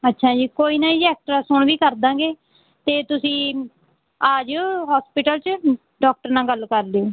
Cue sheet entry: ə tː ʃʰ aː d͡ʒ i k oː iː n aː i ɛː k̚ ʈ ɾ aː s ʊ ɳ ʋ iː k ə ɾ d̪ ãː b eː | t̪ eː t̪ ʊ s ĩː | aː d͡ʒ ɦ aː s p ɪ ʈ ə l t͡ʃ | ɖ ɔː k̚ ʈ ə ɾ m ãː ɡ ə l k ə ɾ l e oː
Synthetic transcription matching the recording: ə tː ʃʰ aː d͡ʒ iː k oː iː n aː i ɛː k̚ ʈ ɾ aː s ʊ ɳ ʋ iː k ə ɾ d̪ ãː ɡ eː | t̪ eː t̪ ʊ s ĩː | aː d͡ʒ ɦ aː s p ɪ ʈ ə l t͡ʃ | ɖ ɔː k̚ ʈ ə ɾ n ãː ɡ ə l k ə ɾ l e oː